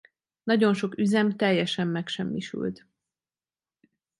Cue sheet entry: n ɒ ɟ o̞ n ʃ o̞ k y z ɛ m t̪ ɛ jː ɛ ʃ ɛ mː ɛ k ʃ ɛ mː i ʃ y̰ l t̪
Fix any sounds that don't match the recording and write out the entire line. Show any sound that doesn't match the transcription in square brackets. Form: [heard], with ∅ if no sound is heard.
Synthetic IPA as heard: n ɒ ɟ o̞ n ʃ o̞ k y z ɛ m t̪ ɛ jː ɛ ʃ ɛ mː ɛ k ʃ ɛ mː i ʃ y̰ l t̪

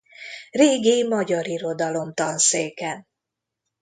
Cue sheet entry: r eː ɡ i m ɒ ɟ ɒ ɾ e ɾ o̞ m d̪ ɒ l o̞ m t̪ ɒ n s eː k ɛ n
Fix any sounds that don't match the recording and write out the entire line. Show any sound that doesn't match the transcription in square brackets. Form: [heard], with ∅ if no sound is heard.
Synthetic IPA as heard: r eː ɡ i m ɒ ɟ ɒ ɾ [i] ɾ o̞ [∅] d̪ ɒ l o̞ m t̪ ɒ n s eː k ɛ n

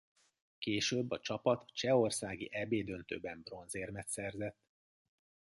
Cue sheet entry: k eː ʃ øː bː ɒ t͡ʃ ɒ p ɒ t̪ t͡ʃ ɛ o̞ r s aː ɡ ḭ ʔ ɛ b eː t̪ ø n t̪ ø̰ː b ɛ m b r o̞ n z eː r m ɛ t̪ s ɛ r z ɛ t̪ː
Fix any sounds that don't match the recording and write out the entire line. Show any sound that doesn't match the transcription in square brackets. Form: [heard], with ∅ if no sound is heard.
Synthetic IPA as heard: k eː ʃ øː bː ɒ t͡ʃ ɒ p ɒ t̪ t͡ʃ ɛ o̞ r s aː ɡ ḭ ʔ ɛ b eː [d̪] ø n t̪ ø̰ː b ɛ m b r o̞ n z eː r m ɛ t̪ s ɛ r z ɛ t̪ː

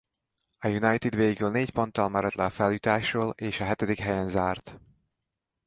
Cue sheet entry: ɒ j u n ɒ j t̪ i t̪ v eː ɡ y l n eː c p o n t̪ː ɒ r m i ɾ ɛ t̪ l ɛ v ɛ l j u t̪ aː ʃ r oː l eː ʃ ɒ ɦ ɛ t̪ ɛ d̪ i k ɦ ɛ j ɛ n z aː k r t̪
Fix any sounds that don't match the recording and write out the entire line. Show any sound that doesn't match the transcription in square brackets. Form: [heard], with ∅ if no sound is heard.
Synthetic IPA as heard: ɒ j u n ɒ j t̪ i [d̪] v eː ɡ y l n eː c p o n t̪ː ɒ [l] m [ɛ] ɾ ɛ t̪ l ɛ [f] ɛ l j u t̪ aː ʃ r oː l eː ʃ ɒ ɦ ɛ t̪ ɛ d̪ i k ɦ ɛ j ɛ n z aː [∅] r t̪

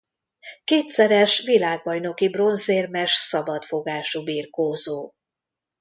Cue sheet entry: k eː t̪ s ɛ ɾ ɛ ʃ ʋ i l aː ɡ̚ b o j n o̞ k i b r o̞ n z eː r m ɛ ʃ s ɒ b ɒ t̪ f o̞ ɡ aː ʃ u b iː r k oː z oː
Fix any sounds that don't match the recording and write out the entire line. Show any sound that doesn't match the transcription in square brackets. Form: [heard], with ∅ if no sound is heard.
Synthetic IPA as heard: k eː t̪ s ɛ ɾ ɛ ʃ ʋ i l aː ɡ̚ b [ɒ] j n o̞ k i b r o̞ n z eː r m ɛ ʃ s ɒ b ɒ t̪ f o̞ ɡ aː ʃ u b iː r k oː z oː

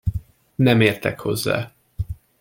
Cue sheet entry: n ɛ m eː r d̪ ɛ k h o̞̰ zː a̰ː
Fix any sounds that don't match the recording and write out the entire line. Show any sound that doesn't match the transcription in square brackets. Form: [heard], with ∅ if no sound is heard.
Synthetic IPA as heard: n ɛ m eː r [t̪] ɛ k h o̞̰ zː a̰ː

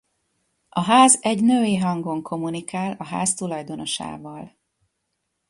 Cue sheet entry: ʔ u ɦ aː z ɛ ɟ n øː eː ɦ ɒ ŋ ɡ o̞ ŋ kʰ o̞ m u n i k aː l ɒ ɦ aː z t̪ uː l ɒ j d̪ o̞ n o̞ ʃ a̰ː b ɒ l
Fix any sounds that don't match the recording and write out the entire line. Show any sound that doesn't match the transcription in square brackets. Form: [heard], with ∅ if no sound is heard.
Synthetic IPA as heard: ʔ [ɒ] ɦ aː z ɛ ɟ n øː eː ɦ ɒ ŋ ɡ o̞ ŋ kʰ o̞ m u n i k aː l ɒ ɦ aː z t̪ [u] l ɒ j d̪ o̞ n o̞ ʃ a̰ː [v] ɒ l

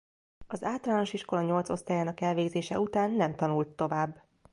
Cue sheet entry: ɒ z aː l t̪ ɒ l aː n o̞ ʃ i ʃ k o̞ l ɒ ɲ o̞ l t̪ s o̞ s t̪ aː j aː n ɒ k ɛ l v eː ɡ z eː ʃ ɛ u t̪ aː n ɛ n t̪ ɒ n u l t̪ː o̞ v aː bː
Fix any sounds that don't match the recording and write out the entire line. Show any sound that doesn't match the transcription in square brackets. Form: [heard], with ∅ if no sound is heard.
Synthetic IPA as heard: ɒ z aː l t̪ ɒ l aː n o̞ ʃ i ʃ k o̞ l ɒ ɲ o̞ l t̪ s o̞ s t̪ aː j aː n ɒ k ɛ l v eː ɡ z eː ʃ ɛ u t̪ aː [nː] ɛ [m] t̪ ɒ n u l t̪ː o̞ v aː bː

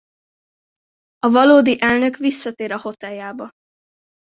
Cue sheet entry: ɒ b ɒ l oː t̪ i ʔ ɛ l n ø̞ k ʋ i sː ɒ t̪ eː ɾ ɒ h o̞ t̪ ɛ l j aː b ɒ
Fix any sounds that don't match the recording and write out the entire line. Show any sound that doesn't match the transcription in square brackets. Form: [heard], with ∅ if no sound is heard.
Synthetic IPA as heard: ɒ [v] ɒ l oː [d̪] i ʔ ɛ l n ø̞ k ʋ i sː ɒ t̪ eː ɾ ɒ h o̞ t̪ ɛ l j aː b ɒ

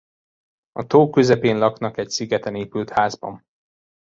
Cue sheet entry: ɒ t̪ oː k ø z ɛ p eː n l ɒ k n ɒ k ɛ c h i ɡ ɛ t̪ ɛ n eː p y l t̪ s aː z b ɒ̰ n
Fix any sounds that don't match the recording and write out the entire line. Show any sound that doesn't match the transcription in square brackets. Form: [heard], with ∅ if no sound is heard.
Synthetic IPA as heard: ɒ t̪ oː k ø z ɛ p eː n l ɒ k n ɒ k ɛ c [s] i ɡ ɛ t̪ ɛ n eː p y l t̪ [h] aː z b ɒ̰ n

